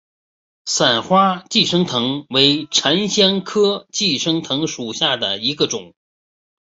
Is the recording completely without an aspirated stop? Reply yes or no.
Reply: no